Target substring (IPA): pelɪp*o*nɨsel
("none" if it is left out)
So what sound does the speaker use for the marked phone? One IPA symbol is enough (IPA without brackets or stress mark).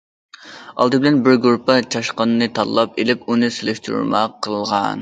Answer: u